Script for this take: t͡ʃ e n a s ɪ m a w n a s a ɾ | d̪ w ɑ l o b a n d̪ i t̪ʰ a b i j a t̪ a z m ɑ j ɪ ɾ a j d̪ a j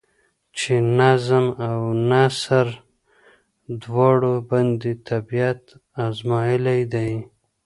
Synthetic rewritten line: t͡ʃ e n a z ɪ m a w n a s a ɾ | d̪ w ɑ ɽ o b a n d̪ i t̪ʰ a b i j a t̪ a z m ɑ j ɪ l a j d̪ a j